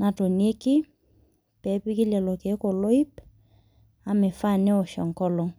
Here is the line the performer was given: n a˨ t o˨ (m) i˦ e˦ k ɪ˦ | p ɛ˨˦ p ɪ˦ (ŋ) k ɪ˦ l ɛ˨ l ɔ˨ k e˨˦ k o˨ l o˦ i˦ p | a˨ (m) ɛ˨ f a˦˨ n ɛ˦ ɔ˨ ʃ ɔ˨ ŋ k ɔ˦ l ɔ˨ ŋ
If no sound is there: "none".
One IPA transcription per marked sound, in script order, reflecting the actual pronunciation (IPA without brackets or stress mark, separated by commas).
n, none, m